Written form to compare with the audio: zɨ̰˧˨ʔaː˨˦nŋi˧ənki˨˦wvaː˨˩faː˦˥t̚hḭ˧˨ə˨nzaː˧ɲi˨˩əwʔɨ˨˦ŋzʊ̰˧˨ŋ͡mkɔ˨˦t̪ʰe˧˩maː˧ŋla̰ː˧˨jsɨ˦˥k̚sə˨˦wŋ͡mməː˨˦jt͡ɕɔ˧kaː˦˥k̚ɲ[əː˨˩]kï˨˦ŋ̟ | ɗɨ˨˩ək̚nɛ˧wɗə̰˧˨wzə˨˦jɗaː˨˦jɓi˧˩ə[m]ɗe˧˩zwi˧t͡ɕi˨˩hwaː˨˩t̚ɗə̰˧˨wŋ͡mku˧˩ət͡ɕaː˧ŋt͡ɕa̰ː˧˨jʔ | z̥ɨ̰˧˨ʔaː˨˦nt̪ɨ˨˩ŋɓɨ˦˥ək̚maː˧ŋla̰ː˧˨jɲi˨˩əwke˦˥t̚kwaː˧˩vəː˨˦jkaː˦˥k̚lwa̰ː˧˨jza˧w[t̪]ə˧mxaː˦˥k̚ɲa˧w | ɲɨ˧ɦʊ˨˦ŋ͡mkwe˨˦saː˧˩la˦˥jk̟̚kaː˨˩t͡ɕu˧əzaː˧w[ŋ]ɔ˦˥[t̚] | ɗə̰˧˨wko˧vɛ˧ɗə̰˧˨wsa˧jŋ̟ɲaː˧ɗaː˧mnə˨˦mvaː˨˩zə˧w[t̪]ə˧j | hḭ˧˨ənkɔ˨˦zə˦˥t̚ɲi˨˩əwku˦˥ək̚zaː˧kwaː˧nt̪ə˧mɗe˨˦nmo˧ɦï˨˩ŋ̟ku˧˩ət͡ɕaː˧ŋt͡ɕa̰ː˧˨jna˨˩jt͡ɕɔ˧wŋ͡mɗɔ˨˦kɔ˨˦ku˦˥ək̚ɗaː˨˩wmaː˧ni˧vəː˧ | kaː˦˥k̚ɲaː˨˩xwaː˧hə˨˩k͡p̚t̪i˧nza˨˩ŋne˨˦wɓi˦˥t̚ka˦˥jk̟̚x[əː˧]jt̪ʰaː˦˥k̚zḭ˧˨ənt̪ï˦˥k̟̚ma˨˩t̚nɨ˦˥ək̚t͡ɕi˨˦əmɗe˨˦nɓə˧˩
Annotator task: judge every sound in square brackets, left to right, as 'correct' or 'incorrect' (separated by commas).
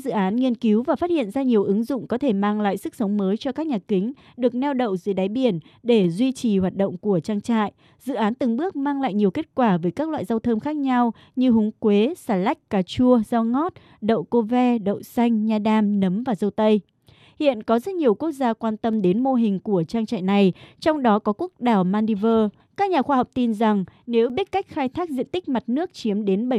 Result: incorrect, incorrect, incorrect, correct, correct, correct, incorrect